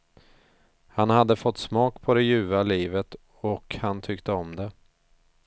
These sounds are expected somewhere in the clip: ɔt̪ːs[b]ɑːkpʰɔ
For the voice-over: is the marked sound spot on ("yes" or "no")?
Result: no